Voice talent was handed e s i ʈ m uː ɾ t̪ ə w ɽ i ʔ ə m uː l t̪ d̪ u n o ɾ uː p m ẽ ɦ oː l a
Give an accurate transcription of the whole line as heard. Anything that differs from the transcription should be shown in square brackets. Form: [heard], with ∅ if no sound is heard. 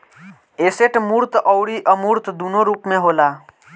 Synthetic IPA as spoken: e s [e] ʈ m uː ɾ t̪ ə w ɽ i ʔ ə m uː [ɾ] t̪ d̪ u n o ɾ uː p m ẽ ɦ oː l a